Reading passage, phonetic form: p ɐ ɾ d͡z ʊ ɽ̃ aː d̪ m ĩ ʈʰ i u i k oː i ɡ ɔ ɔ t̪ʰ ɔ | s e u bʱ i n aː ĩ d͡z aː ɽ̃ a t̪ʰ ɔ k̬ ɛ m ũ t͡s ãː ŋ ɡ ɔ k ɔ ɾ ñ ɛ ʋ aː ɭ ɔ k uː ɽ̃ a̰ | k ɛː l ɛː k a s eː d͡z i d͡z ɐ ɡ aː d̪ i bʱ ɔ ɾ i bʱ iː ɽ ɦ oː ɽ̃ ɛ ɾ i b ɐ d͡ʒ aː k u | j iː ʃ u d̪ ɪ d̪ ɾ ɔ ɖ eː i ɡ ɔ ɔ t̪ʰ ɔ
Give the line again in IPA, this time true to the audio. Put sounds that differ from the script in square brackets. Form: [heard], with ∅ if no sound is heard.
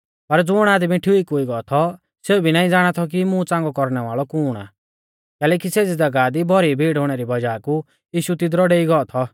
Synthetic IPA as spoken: p ɐ ɾ d͡z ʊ ɽ̃ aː d̪ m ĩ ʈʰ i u i k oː i ɡ ɔ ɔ t̪ʰ ɔ | s e u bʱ i n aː ĩ d͡z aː ɽ̃ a t̪ʰ ɔ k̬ [i] m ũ t͡s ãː ŋ ɡ ɔ k ɔ ɾ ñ ɛ ʋ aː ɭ ɔ k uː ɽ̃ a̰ | k ɛː l ɛː k [i] s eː d͡z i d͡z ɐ ɡ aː d̪ i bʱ ɔ ɾ i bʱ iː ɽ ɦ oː ɽ̃ ɛ ɾ i b ɐ d͡ʒ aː k u | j iː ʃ u [t̪] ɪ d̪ ɾ ɔ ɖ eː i ɡ ɔ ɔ t̪ʰ ɔ